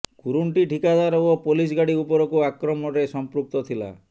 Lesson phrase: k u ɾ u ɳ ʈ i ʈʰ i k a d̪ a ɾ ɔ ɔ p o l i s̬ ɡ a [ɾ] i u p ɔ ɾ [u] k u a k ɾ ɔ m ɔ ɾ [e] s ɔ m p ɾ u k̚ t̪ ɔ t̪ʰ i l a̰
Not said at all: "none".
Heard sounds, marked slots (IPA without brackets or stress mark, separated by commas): ɽ, ɔ, e